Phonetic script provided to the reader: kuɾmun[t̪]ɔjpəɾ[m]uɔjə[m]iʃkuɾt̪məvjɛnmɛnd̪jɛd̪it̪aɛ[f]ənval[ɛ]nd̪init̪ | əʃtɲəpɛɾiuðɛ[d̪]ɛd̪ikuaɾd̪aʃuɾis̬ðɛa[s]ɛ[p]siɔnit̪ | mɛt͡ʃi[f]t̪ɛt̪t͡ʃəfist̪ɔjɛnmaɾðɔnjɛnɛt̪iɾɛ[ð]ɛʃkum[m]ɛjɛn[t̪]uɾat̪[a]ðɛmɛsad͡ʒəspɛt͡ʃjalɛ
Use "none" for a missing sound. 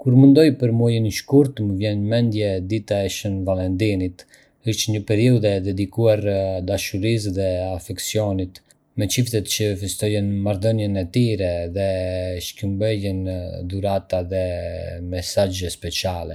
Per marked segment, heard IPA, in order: d̪, m, n, ʃ, ɛ, d̪, f, k, f, ð, b, d̪, a

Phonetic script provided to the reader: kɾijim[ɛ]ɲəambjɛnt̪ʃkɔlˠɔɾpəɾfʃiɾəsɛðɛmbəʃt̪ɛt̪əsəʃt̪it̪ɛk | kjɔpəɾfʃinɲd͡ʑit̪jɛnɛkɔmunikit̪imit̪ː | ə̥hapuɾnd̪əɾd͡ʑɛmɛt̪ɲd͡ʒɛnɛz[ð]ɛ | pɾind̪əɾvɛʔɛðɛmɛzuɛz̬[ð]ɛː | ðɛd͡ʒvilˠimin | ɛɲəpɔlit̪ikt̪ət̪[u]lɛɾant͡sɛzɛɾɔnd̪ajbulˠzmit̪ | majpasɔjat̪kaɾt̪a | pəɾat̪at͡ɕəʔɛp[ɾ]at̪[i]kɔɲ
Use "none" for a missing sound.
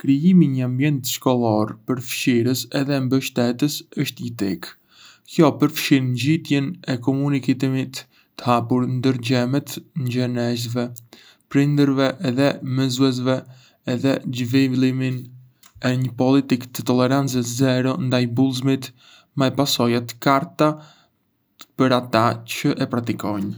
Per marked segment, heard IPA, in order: i, v, v, ɔ, ɾ, i

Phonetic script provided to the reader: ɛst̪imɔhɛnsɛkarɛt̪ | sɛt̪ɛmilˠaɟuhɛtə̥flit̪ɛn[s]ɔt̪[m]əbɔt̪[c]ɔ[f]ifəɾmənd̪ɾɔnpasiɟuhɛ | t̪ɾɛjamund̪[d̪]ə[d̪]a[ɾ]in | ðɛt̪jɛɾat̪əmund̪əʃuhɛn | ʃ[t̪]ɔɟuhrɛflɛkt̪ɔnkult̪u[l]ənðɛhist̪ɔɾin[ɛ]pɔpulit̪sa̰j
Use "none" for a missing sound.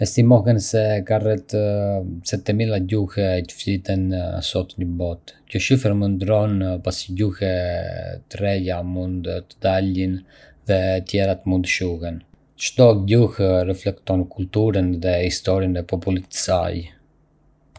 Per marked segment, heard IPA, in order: s, ɲ, c, ʃ, t̪, d̪, l, t̪, ɾ, ɛ

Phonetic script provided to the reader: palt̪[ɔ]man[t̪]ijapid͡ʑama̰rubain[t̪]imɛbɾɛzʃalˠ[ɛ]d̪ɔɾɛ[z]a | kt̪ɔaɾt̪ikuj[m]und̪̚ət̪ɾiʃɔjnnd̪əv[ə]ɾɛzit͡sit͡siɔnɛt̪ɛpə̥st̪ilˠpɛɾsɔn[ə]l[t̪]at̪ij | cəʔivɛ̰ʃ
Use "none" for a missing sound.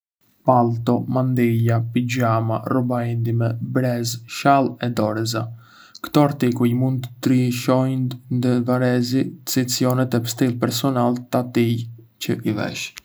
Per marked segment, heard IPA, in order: ɔ, d̪, d̪, ɛ, z, m, a, a, t̪

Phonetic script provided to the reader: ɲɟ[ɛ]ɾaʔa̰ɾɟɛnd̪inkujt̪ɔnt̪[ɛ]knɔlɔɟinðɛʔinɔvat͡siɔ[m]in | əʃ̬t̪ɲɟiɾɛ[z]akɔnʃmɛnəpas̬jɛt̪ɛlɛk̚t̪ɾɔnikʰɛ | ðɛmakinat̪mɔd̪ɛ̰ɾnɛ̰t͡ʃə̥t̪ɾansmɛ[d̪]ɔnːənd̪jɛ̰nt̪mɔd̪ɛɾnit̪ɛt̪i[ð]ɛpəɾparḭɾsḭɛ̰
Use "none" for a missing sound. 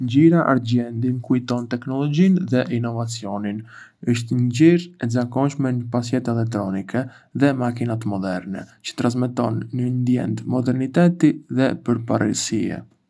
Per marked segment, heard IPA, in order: i, ɛ, n, z, t̪, ð

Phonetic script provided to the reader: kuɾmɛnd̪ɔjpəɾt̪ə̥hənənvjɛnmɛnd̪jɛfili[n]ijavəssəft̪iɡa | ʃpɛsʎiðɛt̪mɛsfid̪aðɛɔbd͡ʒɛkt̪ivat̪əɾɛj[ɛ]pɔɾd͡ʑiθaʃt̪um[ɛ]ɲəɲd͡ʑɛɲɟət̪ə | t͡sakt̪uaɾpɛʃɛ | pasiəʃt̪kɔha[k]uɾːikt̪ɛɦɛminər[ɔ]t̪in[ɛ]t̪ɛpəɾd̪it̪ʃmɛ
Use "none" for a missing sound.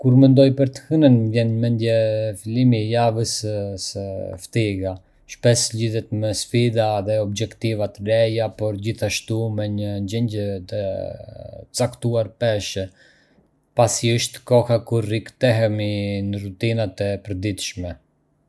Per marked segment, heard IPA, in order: m, a, ɛ, k, u, a

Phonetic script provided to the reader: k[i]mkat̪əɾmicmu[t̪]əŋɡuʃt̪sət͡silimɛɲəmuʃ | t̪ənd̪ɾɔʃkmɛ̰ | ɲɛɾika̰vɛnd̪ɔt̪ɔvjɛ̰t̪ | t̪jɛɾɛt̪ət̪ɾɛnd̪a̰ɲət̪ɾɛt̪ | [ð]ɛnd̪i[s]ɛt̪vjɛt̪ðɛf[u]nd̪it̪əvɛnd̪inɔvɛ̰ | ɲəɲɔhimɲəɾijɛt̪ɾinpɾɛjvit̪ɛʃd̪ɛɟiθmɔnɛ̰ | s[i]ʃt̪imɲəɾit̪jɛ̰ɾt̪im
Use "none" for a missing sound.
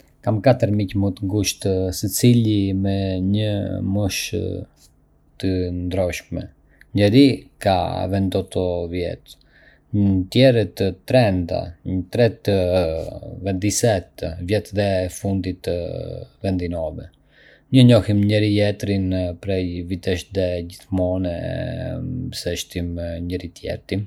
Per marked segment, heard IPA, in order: a, t̪, v, s, u, ɛ

